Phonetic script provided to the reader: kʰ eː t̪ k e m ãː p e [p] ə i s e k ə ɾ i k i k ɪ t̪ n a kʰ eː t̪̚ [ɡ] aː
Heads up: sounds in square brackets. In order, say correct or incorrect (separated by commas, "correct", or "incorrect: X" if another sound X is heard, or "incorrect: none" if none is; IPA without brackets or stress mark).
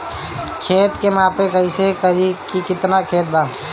incorrect: k, incorrect: b